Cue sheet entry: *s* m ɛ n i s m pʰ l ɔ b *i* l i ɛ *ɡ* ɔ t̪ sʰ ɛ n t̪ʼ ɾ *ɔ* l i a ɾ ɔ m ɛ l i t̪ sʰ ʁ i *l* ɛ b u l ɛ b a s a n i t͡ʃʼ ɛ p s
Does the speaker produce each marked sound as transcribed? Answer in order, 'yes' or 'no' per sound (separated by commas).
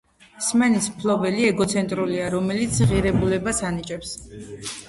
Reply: yes, no, yes, no, no